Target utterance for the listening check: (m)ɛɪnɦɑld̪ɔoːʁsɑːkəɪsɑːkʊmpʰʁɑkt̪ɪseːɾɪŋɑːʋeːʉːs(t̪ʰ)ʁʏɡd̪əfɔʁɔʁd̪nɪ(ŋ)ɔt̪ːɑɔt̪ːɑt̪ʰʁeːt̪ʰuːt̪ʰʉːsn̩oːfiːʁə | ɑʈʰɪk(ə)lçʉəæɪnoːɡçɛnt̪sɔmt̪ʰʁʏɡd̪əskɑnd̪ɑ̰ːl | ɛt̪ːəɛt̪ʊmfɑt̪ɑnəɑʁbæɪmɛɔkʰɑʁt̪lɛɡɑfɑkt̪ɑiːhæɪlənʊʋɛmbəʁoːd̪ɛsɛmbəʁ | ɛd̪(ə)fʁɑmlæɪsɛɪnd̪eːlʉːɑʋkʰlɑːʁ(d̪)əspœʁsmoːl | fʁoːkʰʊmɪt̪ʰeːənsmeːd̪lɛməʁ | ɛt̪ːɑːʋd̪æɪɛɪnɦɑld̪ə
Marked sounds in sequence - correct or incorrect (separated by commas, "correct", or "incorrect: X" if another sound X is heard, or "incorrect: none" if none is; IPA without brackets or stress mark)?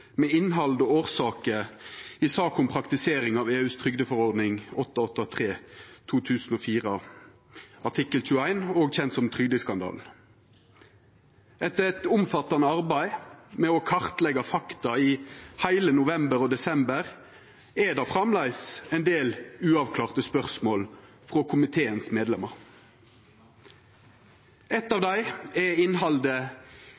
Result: correct, correct, correct, correct, incorrect: ɑ, incorrect: t̪